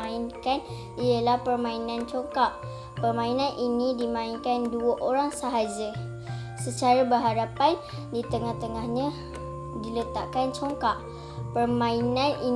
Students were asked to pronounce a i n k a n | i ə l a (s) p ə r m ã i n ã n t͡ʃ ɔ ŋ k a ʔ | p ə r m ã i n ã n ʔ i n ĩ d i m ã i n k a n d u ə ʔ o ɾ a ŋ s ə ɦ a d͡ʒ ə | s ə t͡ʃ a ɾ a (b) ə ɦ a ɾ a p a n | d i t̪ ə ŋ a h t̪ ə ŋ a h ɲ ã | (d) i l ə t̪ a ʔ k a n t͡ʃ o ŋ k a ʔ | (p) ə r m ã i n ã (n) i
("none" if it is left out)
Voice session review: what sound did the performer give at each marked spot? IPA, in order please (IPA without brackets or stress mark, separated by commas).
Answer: h, b, d, p, n